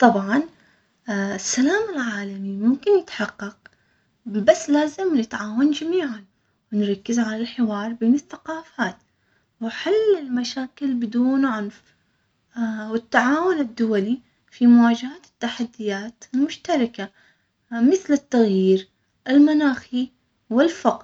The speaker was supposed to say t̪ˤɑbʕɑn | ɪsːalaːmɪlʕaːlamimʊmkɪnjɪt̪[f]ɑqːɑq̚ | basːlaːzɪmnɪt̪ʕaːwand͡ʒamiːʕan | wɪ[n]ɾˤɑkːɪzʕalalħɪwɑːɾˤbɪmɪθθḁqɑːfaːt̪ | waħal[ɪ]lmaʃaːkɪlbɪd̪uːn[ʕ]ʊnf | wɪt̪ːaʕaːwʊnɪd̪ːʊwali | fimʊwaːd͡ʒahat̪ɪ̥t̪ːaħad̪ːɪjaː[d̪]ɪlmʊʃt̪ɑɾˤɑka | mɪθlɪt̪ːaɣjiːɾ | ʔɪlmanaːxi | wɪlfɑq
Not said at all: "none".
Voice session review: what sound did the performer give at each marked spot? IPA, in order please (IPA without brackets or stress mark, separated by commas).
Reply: ħ, n, ɪ, ʕ, t̪